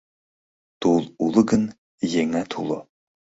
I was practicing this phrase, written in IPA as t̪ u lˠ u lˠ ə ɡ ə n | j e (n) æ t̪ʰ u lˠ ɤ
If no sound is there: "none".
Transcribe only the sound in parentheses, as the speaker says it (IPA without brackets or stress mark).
ŋ